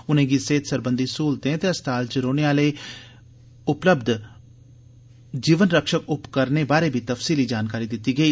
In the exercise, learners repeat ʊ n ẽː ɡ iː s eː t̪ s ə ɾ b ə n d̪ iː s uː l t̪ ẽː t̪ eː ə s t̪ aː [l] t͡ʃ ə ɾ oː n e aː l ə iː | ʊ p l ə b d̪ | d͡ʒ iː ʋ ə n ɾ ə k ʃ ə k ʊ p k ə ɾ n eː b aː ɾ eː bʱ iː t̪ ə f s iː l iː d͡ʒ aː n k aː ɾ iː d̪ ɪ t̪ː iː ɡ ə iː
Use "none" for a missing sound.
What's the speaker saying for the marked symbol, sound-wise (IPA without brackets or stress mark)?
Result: l